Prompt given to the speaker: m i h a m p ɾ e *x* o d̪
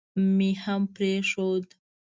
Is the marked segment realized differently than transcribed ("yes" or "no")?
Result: yes